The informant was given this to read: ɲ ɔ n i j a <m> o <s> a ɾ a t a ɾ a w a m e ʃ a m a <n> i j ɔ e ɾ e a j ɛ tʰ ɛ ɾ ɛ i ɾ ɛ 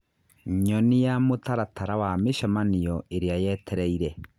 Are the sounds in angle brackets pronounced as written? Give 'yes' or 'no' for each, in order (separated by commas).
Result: yes, no, yes